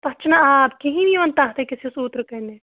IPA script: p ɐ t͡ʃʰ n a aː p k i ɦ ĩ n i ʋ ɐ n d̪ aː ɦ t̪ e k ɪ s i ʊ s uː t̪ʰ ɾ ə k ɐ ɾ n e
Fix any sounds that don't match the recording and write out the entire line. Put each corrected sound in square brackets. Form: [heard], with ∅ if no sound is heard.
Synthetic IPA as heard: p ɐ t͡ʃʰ n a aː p k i ɦ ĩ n i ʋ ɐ n [t̪] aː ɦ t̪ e k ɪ s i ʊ s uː [t̪] ɾ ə k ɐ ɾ n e